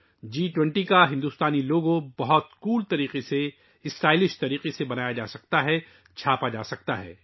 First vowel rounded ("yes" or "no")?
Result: no